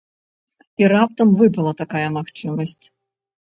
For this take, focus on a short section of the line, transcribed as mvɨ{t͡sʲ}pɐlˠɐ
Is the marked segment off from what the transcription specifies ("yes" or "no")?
yes